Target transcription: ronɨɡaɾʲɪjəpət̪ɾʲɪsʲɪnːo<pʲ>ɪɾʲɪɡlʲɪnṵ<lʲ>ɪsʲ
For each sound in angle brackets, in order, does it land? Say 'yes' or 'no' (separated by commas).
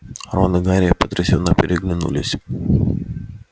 yes, yes